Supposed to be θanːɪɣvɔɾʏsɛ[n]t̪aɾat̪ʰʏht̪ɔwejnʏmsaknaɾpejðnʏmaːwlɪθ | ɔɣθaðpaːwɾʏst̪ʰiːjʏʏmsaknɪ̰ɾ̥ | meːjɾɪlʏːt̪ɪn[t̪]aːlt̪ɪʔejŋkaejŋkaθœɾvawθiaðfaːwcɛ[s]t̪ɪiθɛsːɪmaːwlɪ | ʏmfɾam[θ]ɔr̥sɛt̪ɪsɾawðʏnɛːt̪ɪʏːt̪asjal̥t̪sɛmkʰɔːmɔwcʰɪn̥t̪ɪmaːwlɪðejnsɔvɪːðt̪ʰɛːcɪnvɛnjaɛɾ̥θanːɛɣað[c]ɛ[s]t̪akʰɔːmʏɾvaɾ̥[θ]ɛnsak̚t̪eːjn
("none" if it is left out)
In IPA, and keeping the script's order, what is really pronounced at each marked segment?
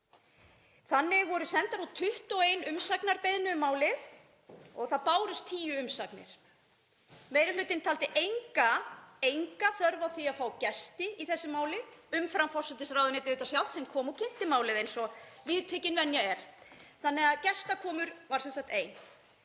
n, t̪ʰ, s, f, c, s, s

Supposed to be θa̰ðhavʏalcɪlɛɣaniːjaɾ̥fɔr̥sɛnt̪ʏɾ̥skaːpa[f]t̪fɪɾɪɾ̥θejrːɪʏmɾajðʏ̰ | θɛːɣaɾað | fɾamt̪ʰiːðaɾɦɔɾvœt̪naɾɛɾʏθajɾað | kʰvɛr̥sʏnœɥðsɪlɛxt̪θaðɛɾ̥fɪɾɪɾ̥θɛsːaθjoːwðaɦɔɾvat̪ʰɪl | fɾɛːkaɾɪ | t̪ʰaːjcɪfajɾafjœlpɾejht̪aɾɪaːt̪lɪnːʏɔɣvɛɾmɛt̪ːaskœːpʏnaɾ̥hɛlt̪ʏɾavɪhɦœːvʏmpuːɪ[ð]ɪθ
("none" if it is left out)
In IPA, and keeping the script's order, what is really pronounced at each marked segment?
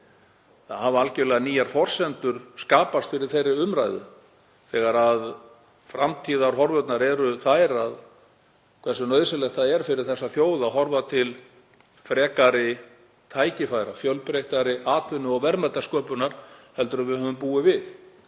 s, v

